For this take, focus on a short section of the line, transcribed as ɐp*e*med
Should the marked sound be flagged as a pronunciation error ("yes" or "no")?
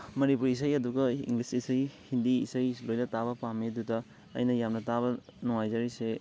yes